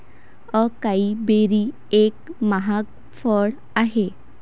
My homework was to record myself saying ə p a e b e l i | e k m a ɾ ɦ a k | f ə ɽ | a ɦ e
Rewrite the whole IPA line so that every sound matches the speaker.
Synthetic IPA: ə k a i b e ɾ i | e k m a ɦ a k | f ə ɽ | a ɦ e